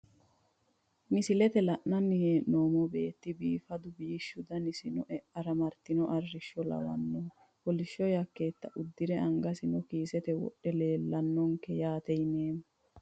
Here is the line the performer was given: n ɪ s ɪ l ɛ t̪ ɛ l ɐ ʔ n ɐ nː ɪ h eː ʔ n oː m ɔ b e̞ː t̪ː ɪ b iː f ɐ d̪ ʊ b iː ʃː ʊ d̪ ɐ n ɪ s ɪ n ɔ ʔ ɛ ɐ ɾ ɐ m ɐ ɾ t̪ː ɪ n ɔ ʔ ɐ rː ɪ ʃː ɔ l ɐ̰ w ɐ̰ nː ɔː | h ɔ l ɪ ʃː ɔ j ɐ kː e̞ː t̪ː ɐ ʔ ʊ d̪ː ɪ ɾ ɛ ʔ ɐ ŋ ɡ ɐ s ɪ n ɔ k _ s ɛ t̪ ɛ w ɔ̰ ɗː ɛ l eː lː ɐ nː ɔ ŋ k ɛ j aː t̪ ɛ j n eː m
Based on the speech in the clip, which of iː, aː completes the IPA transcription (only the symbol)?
iː